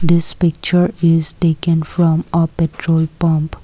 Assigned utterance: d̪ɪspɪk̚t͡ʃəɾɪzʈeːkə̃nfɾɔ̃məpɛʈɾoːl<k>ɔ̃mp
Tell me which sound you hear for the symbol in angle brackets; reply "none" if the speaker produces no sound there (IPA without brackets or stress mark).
p